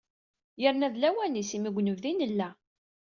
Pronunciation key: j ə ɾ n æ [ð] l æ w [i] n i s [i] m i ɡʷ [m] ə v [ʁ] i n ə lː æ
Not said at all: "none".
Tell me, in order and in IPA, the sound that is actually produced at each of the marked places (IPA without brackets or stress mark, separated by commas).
ð, æ, i, n, ð